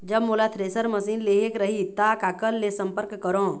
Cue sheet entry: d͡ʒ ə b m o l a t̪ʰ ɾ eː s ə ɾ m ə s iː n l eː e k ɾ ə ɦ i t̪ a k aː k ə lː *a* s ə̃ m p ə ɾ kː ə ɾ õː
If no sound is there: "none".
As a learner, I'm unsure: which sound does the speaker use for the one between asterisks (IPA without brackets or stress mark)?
e